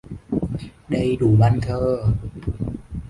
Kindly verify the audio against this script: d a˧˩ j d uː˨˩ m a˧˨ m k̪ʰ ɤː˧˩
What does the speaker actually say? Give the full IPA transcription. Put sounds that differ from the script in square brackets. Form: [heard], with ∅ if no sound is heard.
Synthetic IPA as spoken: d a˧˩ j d uː˨˩ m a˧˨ [n] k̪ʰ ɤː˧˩